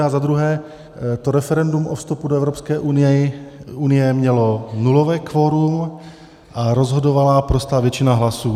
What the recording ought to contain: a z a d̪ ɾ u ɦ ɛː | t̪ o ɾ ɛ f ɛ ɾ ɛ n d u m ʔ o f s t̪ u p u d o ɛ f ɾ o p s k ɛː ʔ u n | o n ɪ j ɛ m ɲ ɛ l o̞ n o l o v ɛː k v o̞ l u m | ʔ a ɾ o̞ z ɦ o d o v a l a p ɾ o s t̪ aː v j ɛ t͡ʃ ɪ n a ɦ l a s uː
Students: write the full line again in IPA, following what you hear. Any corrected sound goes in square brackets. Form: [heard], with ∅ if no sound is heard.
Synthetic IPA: a z a d̪ ɾ u ɦ ɛː | t̪ o ɾ ɛ f ɛ ɾ ɛ n d u m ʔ o f s t̪ u p u d o ɛ [v] ɾ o p s k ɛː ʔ u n | [u] n ɪ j ɛ m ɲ ɛ l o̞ n [u] l o v ɛː k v o̞ [ɾ] u m | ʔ a ɾ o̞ z ɦ o d o v a l a p ɾ o s t̪ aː v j ɛ t͡ʃ ɪ n a ɦ l a s uː